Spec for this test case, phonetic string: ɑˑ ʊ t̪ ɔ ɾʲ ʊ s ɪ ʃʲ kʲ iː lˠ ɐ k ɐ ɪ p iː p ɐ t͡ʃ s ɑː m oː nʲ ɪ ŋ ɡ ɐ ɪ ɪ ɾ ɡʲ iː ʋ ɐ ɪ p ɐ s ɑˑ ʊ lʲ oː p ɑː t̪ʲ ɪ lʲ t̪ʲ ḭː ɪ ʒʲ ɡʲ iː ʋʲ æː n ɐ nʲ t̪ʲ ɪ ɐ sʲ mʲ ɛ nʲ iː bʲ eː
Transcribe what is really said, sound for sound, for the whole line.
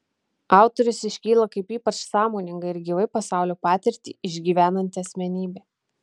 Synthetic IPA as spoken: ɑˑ ʊ t̪ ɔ ɾʲ ʊ s ɪ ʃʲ kʲ iː lˠ ɐ k ɐ ɪ p iː p ɐ t͡ʃ s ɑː m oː nʲ ɪ ŋ ɡ ɐ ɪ ɪ ɾ ɡʲ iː ʋ ɐ ɪ p ɐ s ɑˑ ʊ lʲ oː p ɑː t̪ʲ ɪ ɾʲ t̪ʲ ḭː ɪ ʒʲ ɡʲ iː ʋʲ æː n ɐ nʲ t̪ʲ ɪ ɐ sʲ mʲ ɛ nʲ iː bʲ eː